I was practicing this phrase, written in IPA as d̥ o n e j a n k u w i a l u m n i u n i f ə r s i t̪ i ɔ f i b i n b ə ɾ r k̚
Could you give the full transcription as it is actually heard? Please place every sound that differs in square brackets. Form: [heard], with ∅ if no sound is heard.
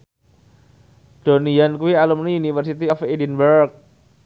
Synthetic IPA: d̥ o n [i] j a n k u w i a l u m n i u n i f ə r s i t̪ i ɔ f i [d] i n b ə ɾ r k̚